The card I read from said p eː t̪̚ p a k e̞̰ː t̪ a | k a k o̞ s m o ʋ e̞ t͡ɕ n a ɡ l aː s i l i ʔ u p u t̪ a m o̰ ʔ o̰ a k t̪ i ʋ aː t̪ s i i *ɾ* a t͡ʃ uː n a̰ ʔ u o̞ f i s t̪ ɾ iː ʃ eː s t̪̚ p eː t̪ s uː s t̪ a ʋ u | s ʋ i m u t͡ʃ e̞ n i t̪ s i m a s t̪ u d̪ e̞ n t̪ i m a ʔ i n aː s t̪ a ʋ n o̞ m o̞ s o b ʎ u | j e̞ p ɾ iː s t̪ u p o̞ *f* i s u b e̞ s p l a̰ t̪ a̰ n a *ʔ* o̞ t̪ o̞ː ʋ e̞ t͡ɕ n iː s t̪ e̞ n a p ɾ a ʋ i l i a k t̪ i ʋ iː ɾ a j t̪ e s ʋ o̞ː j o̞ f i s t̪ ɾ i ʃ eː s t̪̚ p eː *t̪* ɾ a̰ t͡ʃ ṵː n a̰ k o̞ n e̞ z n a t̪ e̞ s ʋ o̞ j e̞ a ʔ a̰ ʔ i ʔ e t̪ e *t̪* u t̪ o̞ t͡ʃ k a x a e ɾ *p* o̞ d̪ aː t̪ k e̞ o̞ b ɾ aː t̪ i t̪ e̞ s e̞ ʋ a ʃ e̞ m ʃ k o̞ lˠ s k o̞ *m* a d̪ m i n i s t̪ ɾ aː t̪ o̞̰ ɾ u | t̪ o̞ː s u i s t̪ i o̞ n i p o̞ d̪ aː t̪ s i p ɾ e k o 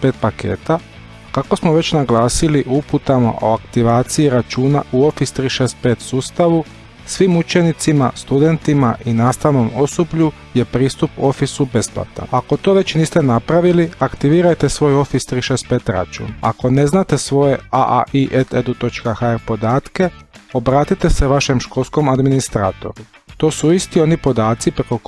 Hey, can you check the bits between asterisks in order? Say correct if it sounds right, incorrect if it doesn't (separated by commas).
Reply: correct, correct, incorrect, correct, incorrect, correct, correct